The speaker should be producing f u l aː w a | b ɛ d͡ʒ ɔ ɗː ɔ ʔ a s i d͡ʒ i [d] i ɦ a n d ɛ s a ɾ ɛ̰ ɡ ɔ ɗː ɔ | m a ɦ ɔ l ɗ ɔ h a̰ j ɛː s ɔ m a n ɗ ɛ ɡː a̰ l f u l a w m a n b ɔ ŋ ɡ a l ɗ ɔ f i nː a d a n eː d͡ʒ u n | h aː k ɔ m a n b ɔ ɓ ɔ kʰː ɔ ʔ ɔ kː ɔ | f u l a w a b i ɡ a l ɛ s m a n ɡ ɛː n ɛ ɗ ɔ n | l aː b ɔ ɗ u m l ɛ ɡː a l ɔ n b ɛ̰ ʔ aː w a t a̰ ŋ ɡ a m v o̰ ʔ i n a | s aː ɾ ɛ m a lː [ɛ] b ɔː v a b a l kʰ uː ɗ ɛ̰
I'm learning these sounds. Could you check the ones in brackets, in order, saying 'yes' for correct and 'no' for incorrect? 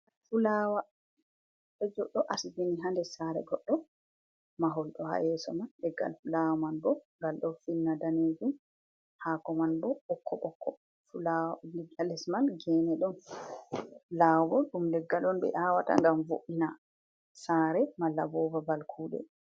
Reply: no, no

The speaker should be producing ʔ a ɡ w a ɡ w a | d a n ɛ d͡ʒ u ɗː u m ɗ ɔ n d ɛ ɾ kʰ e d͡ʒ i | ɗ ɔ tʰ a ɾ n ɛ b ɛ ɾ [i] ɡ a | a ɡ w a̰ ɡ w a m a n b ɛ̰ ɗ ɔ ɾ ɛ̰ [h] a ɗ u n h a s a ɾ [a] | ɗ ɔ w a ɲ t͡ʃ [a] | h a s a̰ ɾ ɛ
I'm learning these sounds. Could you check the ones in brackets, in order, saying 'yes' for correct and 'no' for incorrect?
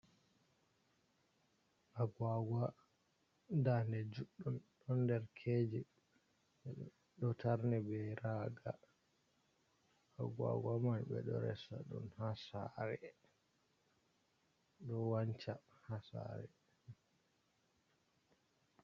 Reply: no, no, no, yes

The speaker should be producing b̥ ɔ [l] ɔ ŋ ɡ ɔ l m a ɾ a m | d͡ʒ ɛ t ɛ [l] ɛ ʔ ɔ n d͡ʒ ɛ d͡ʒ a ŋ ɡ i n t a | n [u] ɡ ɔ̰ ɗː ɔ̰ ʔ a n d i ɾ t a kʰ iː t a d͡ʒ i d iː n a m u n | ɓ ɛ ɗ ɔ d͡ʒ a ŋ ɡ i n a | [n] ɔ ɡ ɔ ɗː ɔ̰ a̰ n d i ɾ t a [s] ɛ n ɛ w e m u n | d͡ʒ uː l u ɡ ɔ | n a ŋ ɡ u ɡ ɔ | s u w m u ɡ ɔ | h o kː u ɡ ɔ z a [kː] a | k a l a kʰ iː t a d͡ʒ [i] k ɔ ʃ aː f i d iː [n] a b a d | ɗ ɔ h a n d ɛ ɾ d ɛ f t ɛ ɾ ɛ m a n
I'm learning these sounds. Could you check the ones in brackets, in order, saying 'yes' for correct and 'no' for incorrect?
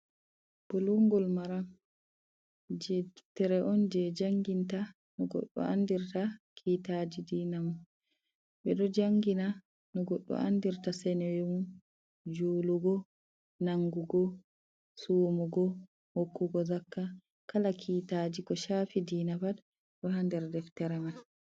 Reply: yes, no, no, yes, yes, yes, yes, yes

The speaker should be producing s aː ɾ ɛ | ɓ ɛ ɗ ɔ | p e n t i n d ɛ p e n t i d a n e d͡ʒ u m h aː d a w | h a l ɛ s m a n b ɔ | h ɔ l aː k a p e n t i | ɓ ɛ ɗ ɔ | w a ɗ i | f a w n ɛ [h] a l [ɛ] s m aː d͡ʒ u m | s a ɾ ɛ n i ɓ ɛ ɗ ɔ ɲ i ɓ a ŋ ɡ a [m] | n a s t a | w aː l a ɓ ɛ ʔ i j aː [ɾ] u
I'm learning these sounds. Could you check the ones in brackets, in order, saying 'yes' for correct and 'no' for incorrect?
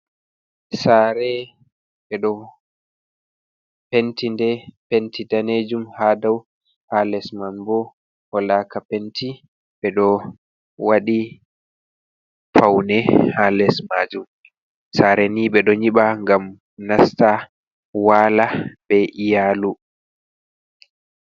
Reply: yes, yes, yes, no

